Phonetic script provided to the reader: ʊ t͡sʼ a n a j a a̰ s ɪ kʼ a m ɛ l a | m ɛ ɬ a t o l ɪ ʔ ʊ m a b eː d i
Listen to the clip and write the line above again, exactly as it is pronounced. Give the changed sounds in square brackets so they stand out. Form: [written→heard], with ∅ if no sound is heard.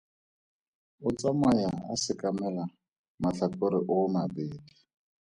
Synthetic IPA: ʊ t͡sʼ a [n→m] a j a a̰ s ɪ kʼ a m ɛ l a | m [ɛ→a] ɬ a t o [l→ɾ] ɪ ʔ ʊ m a b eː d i